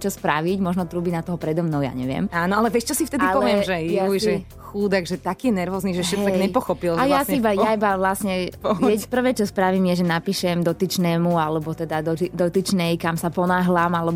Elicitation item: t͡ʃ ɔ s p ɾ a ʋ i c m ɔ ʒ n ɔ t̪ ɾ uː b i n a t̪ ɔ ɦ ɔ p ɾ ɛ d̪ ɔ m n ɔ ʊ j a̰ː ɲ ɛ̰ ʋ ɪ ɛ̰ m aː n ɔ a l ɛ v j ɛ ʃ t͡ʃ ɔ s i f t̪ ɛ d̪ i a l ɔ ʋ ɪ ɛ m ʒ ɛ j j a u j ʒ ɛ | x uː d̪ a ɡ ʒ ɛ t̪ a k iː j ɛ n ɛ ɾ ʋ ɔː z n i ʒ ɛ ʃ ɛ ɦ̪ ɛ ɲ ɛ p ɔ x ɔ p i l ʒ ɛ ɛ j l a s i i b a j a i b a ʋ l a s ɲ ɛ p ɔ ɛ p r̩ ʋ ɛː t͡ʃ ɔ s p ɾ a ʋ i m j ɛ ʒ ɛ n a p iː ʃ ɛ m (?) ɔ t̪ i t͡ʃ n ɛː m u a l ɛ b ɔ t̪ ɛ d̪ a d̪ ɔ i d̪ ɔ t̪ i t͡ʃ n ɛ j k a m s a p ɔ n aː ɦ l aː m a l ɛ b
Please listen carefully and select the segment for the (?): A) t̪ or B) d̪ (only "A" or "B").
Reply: B